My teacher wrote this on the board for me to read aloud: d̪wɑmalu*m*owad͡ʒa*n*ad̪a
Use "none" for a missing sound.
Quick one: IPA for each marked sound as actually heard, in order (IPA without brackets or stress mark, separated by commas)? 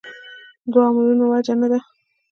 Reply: n, n